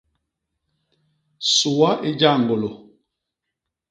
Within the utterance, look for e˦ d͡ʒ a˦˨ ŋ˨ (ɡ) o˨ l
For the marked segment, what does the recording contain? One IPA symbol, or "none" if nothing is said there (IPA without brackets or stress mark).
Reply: ɡ